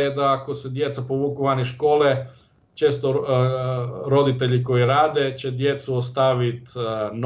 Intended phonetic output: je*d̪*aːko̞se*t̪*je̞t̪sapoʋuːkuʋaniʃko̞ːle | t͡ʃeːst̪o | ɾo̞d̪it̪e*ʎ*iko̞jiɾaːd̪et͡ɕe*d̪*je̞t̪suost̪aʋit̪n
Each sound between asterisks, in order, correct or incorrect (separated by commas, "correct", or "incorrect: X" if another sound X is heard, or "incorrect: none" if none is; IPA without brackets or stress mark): correct, incorrect: d̪, correct, correct